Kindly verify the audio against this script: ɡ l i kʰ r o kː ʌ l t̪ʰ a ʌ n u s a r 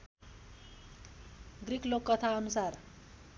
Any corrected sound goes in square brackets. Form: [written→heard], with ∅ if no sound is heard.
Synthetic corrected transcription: ɡ [l→r] i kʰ [r→l] o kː ʌ [l→∅] t̪ʰ a ʌ n u s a r